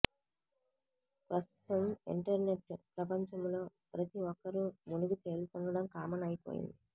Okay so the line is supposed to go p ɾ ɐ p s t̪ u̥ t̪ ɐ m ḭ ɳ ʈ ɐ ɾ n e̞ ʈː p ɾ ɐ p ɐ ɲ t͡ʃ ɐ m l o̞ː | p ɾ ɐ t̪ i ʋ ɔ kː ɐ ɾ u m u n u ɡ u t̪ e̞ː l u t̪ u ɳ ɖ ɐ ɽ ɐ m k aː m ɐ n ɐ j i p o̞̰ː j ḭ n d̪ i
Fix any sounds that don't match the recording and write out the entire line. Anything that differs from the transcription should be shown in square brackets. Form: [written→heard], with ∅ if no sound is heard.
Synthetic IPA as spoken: p ɾ ɐ [p→∅] s t̪ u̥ t̪ ɐ m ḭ ɳ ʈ ɐ ɾ n e̞ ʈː p ɾ ɐ p ɐ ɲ t͡ʃ ɐ m l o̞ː | p ɾ ɐ t̪ i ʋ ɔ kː ɐ ɾ u m u n u ɡ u t̪ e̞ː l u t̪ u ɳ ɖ ɐ ɽ ɐ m k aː m ɐ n ɐ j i p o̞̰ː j ḭ n d̪ i